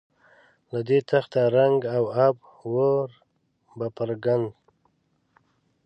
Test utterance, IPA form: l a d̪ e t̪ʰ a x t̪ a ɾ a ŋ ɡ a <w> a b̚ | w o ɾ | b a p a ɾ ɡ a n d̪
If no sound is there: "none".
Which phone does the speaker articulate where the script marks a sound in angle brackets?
w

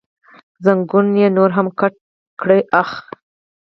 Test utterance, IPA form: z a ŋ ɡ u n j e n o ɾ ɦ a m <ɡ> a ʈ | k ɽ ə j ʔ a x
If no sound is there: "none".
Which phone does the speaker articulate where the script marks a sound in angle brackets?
k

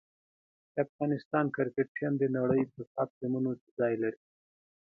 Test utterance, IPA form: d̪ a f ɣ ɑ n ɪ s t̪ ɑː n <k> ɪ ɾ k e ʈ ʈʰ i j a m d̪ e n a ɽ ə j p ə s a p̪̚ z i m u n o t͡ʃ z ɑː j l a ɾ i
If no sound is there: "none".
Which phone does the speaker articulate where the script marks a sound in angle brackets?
k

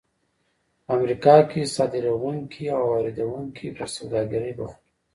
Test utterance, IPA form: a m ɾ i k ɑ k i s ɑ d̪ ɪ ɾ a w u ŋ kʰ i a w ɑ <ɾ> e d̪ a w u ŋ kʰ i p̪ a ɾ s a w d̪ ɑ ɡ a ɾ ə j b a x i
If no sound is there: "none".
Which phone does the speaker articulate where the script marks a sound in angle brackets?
ɾ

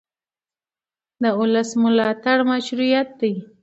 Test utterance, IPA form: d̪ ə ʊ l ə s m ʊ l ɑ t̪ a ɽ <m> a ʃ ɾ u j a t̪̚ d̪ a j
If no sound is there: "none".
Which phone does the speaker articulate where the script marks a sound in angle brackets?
m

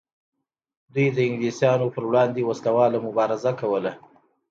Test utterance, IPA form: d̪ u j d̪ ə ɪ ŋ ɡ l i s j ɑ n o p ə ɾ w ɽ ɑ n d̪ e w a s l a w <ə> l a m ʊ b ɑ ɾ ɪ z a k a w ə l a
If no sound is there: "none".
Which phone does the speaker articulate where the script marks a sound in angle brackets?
ɑ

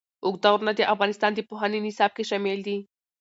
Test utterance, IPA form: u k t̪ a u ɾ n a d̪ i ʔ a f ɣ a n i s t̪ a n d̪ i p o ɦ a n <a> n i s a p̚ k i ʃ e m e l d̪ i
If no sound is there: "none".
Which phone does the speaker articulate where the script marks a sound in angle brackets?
i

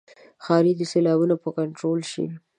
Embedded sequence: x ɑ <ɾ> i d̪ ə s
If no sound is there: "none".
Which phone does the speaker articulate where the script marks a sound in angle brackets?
ɾ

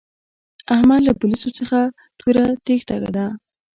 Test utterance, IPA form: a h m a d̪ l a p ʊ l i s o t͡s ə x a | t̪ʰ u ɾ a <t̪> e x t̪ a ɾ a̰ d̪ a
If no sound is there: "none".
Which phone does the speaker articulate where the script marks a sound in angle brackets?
t̪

